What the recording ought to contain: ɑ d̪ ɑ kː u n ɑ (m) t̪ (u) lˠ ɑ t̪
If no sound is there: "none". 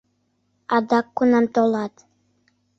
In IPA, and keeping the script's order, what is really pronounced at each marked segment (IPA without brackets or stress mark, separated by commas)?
m, o